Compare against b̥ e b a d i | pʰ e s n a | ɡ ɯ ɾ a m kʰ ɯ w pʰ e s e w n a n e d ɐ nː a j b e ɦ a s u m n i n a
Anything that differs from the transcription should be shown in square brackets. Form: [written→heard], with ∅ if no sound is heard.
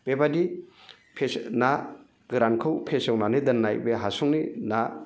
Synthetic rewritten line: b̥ e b a d i | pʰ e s n a | ɡ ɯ ɾ a [m→n] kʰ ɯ w pʰ e s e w n a n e d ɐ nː a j b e ɦ a s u [m→ŋ] n i n a